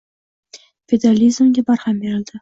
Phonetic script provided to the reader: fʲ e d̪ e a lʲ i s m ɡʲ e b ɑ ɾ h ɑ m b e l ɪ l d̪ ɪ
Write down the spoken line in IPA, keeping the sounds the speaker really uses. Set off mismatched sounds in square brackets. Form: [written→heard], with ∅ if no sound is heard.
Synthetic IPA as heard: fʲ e d̪ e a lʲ i [s→z] m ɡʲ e b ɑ ɾ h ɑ m b e [l→ɾ] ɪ l d̪ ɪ